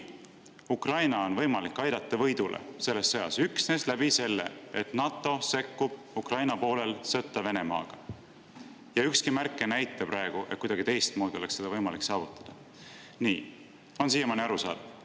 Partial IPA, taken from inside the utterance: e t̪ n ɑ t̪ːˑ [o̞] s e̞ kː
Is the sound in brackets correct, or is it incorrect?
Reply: correct